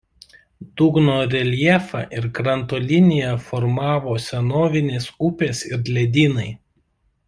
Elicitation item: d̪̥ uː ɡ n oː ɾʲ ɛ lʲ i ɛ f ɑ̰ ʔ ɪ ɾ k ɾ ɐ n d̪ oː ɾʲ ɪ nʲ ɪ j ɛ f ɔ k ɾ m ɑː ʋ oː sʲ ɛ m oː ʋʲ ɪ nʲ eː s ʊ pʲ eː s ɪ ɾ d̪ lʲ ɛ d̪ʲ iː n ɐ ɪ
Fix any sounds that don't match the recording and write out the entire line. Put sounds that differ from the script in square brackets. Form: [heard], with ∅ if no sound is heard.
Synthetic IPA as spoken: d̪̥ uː ɡ n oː ɾʲ ɛ lʲ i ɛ f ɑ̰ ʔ ɪ ɾ k ɾ ɐ n [t̪] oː [lʲ] ɪ nʲ ɪ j ɛ f ɔ [∅] ɾ m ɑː ʋ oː sʲ ɛ [n] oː ʋʲ ɪ nʲ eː s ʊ pʲ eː s ɪ ɾ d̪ lʲ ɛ d̪ʲ iː n ɐ ɪ